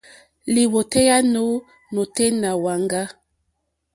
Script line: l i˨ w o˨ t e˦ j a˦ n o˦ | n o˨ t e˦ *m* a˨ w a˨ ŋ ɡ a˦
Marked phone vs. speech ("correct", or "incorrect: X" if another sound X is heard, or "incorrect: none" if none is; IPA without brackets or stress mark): incorrect: n